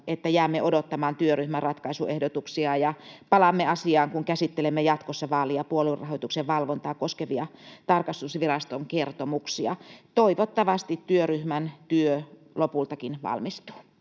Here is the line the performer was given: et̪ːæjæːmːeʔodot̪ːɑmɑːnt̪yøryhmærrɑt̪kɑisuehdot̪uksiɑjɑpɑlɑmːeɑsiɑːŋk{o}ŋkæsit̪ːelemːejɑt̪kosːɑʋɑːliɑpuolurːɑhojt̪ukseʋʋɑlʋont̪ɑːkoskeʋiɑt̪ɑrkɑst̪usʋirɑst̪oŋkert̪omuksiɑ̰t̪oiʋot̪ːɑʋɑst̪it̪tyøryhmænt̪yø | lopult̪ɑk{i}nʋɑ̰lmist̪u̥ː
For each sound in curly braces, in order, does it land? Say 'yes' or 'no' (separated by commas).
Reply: no, yes